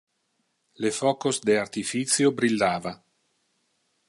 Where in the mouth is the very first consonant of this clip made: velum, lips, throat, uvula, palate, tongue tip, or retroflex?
tongue tip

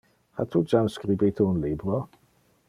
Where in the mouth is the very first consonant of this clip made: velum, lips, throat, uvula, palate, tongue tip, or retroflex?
throat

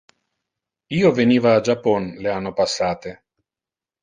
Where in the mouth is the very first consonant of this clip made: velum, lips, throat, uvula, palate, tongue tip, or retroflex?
lips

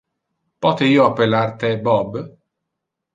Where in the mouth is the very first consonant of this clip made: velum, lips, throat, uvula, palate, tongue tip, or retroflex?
lips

